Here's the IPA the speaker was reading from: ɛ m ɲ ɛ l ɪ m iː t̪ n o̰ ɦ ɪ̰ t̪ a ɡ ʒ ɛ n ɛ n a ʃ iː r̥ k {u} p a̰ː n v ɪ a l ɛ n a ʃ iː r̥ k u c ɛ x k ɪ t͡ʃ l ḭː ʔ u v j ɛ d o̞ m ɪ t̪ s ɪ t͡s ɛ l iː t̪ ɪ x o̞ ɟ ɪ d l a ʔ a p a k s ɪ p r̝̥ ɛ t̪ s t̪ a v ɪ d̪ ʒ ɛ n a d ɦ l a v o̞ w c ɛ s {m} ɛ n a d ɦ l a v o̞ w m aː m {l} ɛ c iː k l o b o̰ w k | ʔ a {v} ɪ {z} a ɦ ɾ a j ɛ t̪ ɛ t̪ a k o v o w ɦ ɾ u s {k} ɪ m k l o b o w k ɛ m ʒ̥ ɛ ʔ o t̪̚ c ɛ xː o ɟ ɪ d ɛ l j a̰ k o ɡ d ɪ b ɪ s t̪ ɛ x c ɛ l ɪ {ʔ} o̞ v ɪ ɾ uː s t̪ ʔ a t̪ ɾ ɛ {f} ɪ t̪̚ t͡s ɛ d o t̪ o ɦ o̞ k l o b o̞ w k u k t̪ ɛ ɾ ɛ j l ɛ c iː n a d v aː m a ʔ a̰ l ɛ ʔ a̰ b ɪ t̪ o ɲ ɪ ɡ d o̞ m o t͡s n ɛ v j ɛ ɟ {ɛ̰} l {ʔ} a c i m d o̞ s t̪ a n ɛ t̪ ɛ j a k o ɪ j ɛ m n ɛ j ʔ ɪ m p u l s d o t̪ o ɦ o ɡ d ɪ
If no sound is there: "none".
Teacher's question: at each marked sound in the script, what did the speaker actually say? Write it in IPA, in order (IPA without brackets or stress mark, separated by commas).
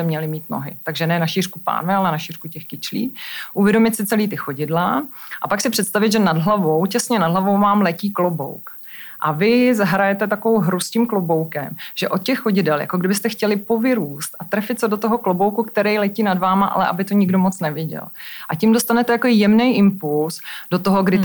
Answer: u, ɲ, l, v, z, c, p, f, ɛ̰, ʔ